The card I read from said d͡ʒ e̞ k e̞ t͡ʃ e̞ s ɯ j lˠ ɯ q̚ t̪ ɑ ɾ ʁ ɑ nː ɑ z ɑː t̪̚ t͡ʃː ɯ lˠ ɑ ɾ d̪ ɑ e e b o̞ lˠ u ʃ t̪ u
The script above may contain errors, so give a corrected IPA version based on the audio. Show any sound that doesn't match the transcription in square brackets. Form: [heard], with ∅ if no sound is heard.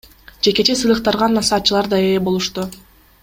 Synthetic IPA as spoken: d͡ʒ e̞ k e̞ t͡ʃ e̞ s ɯ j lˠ ɯ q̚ t̪ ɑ ɾ ʁ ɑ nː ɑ [s] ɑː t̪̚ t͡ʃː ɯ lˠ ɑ ɾ d̪ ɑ e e b o̞ lˠ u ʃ t̪ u